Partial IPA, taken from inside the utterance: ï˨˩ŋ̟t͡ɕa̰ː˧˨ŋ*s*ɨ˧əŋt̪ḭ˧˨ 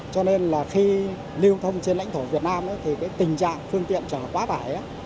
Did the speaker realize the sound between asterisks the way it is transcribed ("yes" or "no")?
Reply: no